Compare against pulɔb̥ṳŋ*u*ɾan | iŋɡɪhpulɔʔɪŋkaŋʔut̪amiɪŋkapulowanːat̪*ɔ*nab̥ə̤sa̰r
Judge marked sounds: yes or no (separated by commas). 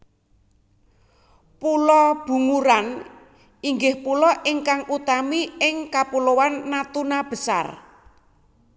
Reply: yes, no